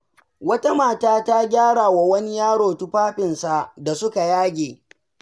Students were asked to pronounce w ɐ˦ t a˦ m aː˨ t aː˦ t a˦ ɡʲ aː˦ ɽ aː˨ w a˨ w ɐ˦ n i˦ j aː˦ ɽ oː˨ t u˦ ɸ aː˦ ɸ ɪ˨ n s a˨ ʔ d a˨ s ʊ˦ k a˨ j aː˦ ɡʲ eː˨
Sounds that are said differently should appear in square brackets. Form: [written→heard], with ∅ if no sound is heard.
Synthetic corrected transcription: w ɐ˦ t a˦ m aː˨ t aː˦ t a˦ ɡʲ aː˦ ɽ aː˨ w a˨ w ɐ˦ n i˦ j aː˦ ɽ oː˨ t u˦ ɸ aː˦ ɸ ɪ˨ n s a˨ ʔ d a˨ s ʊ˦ k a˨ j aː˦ ɡʲ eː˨